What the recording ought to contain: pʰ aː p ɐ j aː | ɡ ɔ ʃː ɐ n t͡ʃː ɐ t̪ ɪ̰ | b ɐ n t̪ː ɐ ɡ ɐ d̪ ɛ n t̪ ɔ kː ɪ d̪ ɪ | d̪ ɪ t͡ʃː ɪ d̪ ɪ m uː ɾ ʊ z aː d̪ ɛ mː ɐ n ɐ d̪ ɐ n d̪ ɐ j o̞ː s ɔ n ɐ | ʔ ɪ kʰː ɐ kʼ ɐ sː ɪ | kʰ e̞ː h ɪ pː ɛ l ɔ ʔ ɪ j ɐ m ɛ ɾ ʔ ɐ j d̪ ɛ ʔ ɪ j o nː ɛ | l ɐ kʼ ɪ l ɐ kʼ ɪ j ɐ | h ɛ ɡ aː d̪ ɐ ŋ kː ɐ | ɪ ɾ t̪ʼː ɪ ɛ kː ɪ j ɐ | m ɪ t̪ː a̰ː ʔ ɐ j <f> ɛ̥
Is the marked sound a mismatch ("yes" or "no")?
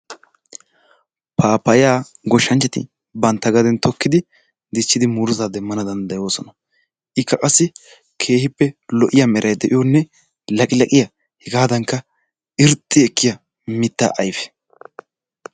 no